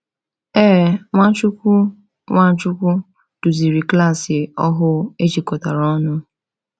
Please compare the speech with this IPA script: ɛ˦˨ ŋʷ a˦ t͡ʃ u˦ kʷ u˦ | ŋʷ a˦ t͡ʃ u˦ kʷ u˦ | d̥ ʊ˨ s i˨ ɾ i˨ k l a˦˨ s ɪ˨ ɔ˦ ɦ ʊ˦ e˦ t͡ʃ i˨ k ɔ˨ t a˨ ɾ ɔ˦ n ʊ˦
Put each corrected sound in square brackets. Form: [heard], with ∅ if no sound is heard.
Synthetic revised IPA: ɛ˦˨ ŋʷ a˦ t͡ʃ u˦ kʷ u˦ | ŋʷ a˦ t͡ʃ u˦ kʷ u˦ | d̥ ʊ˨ [z] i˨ ɾ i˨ k l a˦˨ s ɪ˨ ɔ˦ ɦ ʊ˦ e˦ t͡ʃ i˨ k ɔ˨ t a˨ ɾ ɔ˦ n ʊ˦